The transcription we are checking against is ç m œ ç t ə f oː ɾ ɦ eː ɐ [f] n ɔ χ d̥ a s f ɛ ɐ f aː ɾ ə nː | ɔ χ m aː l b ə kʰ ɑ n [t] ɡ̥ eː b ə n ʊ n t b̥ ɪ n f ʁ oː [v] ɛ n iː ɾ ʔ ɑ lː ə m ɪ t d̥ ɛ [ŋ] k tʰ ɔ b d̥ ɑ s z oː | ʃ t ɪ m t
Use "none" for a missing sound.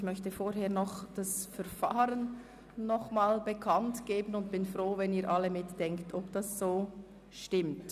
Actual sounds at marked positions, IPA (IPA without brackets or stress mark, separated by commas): none, t, v, ŋ